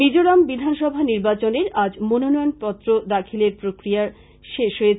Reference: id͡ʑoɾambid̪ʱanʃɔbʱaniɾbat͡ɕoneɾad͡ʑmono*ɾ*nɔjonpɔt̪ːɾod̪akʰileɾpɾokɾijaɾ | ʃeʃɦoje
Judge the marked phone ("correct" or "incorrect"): incorrect